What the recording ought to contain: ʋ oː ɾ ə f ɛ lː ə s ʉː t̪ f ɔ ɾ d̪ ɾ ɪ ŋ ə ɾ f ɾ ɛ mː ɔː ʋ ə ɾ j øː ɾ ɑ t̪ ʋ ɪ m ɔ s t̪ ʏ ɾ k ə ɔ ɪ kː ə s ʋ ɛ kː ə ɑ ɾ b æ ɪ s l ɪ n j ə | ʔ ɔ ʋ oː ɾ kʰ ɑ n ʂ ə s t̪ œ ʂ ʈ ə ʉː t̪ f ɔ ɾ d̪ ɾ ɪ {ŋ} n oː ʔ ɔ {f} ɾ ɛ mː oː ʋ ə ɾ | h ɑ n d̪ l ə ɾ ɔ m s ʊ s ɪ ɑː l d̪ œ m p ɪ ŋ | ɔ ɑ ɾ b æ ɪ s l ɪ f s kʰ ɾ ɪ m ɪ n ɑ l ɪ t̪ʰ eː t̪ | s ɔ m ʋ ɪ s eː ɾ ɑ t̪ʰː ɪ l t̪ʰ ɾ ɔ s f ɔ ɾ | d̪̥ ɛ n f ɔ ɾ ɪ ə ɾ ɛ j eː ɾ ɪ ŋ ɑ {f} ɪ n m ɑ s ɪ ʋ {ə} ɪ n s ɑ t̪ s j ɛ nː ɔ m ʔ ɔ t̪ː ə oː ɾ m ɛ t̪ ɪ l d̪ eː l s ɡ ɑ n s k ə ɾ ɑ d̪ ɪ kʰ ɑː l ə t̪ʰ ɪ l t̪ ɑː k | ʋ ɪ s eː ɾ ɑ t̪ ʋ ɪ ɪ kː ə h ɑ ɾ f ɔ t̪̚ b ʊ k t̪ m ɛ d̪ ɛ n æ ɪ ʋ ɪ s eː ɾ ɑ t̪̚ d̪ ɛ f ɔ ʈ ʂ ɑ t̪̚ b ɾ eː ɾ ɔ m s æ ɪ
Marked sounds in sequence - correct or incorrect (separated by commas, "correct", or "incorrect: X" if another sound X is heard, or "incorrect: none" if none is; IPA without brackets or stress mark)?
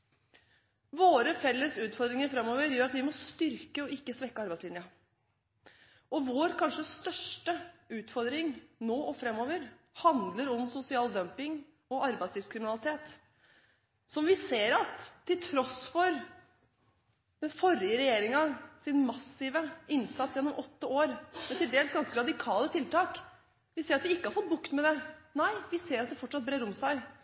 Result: correct, correct, incorrect: s, correct